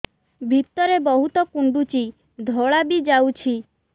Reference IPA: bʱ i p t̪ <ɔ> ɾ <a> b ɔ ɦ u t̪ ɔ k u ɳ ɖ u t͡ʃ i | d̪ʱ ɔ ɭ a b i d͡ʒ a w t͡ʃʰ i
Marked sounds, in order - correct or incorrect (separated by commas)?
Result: correct, incorrect